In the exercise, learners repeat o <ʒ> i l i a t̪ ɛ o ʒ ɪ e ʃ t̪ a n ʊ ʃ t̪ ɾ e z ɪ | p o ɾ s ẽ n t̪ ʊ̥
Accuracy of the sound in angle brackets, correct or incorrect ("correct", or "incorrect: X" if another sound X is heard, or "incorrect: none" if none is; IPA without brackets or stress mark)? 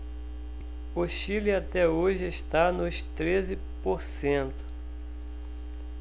incorrect: ʃ